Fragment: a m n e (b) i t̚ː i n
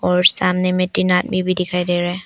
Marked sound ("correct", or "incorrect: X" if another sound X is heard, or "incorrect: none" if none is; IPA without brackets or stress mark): incorrect: m